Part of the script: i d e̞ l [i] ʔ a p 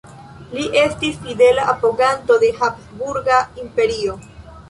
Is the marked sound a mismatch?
yes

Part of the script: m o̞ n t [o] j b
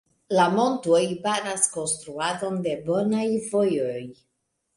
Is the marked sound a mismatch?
no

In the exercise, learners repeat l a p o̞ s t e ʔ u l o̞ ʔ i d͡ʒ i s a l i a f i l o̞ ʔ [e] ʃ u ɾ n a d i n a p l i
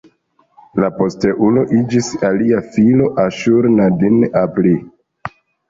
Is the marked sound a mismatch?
yes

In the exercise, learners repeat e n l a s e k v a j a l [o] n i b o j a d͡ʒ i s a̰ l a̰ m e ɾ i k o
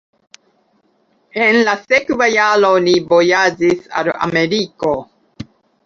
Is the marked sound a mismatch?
no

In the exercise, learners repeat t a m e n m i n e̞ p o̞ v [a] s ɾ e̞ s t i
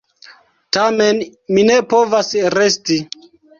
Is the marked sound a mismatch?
no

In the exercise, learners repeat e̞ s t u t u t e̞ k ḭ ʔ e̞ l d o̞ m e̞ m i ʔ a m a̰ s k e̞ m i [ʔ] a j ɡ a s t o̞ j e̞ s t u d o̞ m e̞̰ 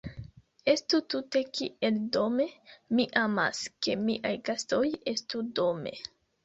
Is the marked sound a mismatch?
no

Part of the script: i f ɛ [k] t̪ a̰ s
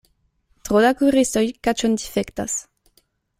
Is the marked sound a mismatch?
no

